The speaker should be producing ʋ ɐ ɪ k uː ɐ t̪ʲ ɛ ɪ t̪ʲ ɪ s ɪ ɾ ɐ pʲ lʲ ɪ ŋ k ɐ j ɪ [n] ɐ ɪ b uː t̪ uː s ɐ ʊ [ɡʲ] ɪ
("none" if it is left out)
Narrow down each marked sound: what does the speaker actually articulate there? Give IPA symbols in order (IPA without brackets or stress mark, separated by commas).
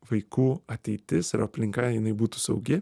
n, ɡʲ